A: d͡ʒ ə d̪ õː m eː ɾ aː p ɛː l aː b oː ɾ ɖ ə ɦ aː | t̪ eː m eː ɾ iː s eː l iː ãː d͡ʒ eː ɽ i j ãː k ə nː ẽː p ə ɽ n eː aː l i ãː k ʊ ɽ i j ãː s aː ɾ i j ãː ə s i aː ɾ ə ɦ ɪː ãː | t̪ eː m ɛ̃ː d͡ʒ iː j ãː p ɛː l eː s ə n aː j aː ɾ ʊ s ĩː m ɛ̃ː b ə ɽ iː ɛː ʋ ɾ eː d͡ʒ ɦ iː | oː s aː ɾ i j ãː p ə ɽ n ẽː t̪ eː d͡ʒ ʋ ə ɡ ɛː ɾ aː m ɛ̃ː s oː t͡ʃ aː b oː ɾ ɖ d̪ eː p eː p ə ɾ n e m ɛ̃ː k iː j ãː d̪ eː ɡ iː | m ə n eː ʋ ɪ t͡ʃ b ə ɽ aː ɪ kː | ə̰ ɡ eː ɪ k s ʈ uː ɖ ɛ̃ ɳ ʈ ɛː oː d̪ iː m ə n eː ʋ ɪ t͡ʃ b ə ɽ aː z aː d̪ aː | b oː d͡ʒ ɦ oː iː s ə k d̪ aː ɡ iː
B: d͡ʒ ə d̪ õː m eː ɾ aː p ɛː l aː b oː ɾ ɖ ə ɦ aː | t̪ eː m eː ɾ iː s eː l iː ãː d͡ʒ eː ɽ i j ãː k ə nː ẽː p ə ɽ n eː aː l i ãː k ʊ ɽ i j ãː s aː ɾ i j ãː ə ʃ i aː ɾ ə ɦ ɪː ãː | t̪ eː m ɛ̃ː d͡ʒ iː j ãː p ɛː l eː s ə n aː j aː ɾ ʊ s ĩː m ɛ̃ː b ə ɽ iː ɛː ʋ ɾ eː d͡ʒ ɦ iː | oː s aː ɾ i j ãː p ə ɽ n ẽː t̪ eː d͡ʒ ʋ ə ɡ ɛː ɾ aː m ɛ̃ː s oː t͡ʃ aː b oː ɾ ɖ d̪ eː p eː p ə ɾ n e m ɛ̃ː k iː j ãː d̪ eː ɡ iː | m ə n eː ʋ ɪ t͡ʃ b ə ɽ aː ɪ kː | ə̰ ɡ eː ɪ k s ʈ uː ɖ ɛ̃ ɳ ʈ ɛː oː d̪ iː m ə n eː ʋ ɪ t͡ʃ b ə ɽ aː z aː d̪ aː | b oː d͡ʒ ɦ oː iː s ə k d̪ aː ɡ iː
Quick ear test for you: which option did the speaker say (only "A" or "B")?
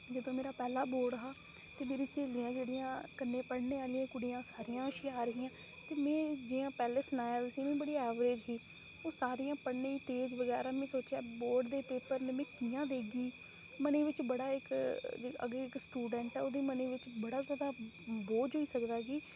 B